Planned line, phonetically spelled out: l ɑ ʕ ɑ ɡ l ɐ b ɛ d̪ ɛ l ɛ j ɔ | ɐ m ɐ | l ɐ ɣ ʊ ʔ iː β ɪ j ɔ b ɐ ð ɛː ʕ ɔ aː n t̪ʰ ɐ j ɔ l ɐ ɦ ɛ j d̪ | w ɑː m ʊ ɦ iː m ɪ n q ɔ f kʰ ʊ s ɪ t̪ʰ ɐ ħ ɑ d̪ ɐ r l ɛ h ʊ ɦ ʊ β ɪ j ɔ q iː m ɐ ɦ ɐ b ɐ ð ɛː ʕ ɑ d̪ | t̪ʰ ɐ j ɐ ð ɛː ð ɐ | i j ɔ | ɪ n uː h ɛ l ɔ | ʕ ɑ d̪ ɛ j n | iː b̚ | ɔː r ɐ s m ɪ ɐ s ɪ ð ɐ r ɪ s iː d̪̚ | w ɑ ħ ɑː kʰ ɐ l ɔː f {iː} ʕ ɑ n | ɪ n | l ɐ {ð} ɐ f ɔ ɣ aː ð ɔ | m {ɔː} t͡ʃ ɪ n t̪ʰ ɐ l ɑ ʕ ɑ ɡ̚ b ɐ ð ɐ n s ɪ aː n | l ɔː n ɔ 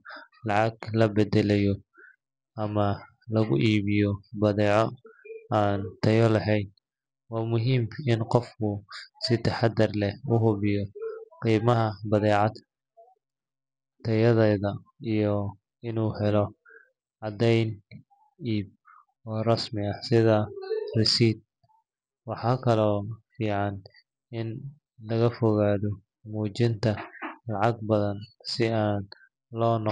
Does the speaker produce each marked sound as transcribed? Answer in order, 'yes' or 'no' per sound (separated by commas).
yes, no, no